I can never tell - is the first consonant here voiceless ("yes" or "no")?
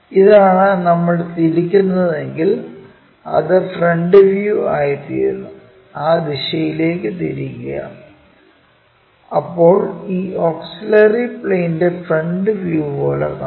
no